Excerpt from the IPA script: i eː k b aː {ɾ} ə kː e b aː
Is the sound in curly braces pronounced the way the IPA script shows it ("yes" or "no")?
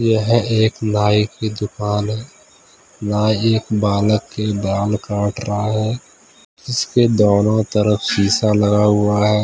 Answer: no